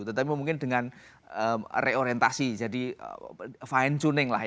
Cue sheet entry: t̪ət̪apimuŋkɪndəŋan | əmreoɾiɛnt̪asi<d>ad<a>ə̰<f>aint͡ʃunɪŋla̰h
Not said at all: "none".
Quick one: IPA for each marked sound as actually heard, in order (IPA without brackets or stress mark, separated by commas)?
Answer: d͡ʒ, i, f